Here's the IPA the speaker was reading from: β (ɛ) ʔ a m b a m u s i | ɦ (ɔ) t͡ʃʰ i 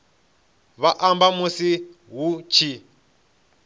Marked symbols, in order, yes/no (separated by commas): no, no